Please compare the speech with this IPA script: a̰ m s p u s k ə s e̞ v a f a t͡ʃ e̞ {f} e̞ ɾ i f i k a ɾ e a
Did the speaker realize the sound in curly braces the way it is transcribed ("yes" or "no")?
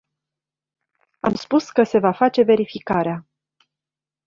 no